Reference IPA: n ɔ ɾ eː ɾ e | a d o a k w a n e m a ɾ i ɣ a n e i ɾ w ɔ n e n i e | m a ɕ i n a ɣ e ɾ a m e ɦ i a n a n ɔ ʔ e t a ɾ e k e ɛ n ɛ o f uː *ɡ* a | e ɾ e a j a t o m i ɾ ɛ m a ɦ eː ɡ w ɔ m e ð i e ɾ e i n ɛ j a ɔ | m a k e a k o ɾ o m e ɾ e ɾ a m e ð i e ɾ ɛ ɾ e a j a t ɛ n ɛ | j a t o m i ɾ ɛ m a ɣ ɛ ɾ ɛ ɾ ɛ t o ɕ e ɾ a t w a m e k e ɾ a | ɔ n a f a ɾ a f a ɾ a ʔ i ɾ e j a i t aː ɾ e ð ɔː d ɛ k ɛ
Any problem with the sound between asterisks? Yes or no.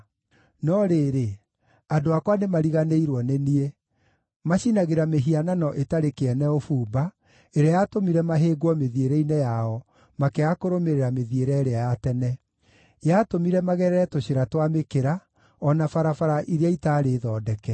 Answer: yes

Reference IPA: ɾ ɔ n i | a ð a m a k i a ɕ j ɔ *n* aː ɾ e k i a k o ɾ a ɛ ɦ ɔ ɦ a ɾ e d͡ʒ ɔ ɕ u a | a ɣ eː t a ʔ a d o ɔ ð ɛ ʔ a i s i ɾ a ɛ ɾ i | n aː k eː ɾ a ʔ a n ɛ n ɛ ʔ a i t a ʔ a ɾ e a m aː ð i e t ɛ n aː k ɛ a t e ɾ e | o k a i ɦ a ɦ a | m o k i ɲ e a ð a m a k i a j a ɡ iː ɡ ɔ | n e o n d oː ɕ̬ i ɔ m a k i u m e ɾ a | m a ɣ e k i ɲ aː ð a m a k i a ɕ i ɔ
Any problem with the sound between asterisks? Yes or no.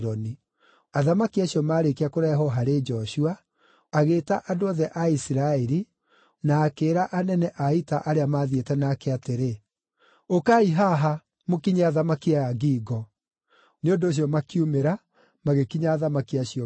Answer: yes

